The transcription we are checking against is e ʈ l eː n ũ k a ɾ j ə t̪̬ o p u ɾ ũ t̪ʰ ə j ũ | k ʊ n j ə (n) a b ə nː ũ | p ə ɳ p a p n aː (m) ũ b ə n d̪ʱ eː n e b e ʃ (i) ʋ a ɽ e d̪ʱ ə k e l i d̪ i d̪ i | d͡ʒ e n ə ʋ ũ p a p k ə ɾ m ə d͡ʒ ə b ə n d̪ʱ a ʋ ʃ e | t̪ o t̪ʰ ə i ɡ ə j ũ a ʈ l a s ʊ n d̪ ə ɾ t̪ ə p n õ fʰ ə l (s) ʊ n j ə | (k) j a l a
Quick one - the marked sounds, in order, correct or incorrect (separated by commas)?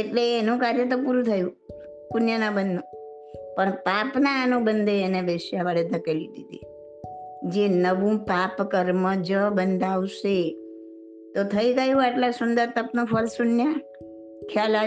correct, incorrect, incorrect, correct, incorrect